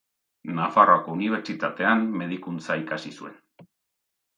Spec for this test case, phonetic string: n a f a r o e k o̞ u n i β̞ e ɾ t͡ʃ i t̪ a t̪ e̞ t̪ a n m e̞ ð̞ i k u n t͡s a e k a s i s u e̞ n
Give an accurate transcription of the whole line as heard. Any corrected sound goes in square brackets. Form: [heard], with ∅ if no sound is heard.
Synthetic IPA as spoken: n a f a r o [a] k o̞ u n i β̞ e ɾ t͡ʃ i t̪ a t̪ e̞ [∅] a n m e̞ ð̞ i k u n t͡s a [i] k a s i s u e̞ n